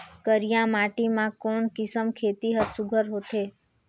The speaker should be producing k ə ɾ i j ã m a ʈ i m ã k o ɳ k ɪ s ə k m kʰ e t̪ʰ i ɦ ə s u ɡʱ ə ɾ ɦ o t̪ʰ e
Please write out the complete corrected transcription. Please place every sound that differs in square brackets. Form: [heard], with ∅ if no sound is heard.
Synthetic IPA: k ə ɾ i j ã m a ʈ i m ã k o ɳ k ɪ s ə [∅] m kʰ e [t̪] i ɦ ə s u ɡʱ ə ɾ ɦ o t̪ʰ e